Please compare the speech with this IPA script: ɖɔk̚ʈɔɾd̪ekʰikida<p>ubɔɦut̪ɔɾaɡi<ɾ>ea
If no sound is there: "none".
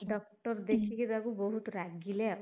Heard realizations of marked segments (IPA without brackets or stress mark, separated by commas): k, l